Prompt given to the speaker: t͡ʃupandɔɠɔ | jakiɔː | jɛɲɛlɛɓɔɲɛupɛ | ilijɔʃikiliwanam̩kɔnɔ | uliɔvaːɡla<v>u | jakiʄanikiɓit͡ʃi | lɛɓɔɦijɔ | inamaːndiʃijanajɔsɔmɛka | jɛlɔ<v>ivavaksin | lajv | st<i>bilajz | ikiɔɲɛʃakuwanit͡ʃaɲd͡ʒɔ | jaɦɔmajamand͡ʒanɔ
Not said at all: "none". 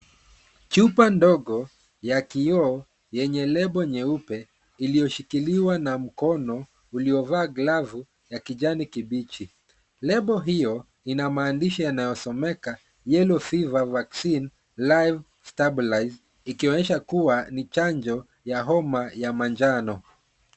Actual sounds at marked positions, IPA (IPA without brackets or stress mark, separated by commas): v, f, a